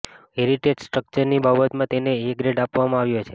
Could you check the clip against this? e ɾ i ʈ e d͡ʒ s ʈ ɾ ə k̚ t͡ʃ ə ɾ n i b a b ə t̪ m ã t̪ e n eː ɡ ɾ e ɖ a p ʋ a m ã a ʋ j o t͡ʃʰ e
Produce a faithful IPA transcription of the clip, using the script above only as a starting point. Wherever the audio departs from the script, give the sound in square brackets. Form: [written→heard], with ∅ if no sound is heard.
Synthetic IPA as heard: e ɾ i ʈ e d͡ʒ s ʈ ɾ ə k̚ t͡ʃ ə ɾ n i b a b ə t̪ m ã t̪ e n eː ɡ ɾ e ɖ a p ʋ a m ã a ʋ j o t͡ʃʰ e